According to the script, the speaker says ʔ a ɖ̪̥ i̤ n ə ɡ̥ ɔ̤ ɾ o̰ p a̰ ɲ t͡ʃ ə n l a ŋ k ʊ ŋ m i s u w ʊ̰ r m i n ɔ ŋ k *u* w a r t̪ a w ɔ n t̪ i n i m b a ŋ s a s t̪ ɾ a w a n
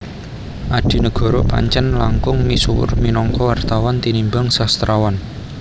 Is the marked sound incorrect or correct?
incorrect